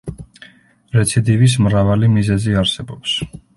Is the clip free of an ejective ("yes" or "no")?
yes